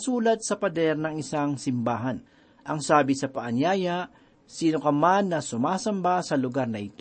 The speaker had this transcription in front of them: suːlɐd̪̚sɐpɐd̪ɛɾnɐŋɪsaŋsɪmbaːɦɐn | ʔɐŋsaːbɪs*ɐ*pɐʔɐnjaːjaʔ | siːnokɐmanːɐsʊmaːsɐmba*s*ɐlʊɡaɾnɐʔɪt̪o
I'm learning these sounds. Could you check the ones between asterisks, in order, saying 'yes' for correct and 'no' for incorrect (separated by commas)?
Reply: yes, yes